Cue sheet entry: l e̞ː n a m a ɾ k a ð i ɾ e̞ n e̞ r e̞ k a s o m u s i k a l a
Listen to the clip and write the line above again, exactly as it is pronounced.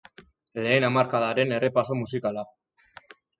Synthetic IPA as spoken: l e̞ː n a m a ɾ k a ð a ɾ e̞ n e̞ r e̞ p a s o m u s i k a l a